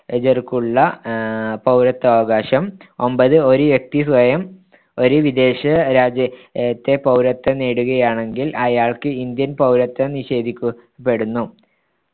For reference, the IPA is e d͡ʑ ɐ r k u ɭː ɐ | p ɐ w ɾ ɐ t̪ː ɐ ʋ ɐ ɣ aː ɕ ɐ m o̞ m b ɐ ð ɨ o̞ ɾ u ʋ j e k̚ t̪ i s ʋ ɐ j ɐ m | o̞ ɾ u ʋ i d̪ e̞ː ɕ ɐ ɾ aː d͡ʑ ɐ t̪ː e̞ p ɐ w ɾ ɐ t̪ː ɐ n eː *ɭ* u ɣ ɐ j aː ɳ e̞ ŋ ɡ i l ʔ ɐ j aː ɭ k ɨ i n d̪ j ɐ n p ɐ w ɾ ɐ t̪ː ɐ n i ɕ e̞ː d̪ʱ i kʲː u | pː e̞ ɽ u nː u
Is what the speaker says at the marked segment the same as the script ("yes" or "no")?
no